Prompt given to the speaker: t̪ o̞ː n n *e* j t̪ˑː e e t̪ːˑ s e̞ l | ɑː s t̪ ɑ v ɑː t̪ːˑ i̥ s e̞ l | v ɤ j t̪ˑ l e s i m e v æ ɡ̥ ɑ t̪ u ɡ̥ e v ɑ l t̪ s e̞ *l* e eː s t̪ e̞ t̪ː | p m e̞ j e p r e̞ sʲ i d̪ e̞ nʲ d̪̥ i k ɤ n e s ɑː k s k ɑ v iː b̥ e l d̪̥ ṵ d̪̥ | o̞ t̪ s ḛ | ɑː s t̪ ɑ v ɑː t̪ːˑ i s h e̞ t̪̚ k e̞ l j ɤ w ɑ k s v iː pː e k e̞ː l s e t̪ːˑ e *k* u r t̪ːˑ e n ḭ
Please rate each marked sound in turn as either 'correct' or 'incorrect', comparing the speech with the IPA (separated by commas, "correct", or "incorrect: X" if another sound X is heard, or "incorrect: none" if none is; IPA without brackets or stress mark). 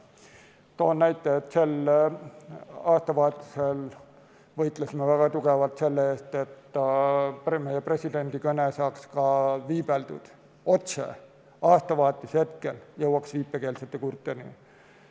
incorrect: æ, incorrect: lː, correct